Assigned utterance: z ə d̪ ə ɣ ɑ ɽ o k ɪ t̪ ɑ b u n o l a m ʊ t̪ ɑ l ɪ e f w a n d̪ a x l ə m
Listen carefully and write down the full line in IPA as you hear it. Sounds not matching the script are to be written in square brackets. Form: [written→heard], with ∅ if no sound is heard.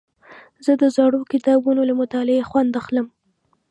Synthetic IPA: z ə d̪ ə [ɣ→z] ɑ ɽ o k ɪ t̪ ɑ b u n o l a m ʊ t̪ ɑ l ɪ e [f→x] w a n d̪ a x l ə m